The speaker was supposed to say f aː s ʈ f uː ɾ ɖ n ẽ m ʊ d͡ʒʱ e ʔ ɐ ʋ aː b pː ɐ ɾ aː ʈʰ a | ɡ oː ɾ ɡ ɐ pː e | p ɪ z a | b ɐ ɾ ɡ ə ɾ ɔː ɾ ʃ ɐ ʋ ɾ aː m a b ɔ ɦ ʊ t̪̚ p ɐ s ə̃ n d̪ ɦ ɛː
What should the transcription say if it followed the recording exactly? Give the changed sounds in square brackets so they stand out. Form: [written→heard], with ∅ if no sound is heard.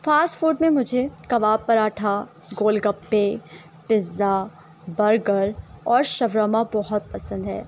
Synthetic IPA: f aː s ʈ f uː ɾ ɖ [n→m] ẽ m ʊ d͡ʒʱ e [ʔ→k] ɐ ʋ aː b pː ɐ ɾ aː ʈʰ a | ɡ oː [ɾ→l] ɡ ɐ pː e | p ɪ z a | b ɐ ɾ ɡ ə ɾ ɔː ɾ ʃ ɐ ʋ ɾ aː m a b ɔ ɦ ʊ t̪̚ p ɐ s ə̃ n d̪ ɦ ɛː